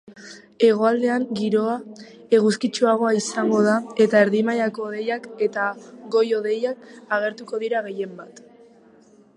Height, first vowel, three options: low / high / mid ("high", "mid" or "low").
mid